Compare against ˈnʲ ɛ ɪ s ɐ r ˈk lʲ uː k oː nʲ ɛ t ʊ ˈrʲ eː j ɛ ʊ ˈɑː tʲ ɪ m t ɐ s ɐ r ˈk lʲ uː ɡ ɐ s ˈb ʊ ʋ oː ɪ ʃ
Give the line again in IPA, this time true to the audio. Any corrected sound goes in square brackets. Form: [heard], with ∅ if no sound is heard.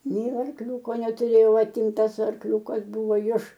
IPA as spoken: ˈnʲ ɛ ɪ [∅] ɐ r ˈk lʲ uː k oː nʲ ɛ t ʊ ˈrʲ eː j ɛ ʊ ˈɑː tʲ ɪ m t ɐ s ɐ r ˈk lʲ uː [k] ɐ s ˈb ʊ ʋ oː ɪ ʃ